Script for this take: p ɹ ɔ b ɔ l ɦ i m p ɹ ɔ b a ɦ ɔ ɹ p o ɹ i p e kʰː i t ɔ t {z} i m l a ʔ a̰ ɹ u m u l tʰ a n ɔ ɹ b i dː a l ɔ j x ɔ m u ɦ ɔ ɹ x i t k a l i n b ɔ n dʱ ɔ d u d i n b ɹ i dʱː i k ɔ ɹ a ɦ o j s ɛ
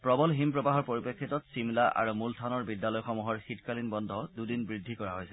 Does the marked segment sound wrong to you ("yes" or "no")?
yes